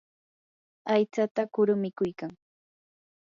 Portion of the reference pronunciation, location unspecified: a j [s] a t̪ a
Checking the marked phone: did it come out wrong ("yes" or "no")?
yes